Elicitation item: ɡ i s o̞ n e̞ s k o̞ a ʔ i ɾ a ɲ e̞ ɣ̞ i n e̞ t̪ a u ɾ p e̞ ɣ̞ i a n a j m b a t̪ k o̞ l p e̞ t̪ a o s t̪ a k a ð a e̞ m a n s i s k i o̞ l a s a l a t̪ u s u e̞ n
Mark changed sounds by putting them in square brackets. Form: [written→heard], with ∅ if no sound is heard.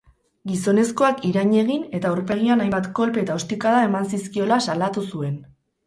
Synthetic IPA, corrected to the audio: ɡ i s o̞ n e̞ s k o̞ a [ʔ→k] i ɾ a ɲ e̞ ɣ̞ i n e̞ t̪ a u ɾ p e̞ ɣ̞ i a n a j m b a t̪ k o̞ l p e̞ t̪ a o s t̪ [a→i] k a ð a e̞ m a n s i s k i o̞ l a s a l a t̪ u s u e̞ n